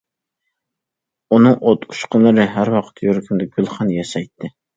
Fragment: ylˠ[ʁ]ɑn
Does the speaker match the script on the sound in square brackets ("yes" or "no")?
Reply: no